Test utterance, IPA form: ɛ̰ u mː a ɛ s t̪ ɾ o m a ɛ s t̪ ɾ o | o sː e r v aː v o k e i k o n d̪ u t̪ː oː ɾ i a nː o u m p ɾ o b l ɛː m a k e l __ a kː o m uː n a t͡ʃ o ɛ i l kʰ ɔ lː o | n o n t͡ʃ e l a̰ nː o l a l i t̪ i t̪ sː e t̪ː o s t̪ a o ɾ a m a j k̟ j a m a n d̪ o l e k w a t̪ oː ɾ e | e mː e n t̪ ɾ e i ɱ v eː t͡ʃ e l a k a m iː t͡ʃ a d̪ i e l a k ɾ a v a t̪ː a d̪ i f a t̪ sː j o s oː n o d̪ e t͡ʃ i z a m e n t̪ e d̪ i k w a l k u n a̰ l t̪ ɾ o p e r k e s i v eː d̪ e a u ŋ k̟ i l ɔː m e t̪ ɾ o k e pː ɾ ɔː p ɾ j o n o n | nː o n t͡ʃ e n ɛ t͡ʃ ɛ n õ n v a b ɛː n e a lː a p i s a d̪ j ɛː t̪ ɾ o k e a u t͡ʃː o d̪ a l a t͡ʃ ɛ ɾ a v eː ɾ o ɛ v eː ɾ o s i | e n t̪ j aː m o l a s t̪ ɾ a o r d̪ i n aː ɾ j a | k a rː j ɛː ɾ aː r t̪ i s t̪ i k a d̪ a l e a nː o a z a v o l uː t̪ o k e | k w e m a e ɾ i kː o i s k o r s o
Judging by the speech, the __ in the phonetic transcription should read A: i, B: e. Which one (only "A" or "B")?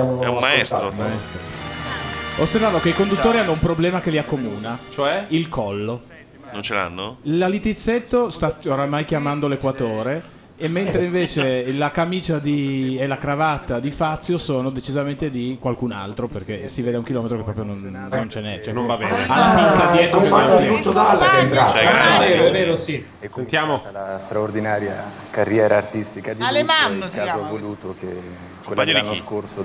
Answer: A